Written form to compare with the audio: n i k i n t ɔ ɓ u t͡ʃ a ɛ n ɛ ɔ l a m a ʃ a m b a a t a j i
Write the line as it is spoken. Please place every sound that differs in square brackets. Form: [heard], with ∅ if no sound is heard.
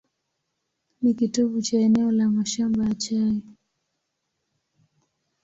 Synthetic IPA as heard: n i k i [∅] t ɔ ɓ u t͡ʃ a ɛ n ɛ ɔ l a m a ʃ a m b a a [t͡ʃ] a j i